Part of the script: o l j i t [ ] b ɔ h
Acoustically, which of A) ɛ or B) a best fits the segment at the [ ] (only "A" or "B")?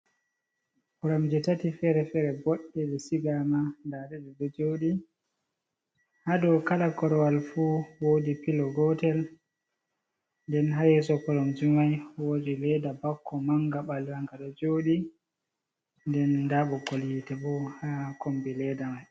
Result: A